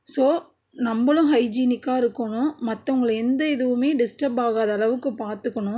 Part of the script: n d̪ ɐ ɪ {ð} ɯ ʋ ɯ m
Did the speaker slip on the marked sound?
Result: no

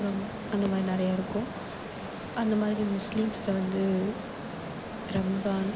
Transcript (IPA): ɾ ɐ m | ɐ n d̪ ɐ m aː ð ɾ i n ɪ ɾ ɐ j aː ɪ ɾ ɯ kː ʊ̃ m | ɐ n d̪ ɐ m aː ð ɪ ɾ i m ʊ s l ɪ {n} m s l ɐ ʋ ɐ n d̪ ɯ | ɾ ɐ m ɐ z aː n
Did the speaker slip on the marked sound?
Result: yes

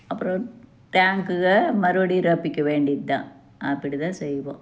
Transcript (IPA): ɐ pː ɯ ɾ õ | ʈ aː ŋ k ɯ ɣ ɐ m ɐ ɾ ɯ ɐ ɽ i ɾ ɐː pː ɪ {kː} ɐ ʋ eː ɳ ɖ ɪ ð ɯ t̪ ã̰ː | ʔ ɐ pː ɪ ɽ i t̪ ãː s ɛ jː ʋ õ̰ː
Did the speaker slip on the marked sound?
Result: no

